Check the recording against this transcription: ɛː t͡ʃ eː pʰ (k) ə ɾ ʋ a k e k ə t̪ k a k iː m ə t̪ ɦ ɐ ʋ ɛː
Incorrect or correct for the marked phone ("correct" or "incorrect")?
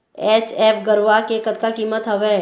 incorrect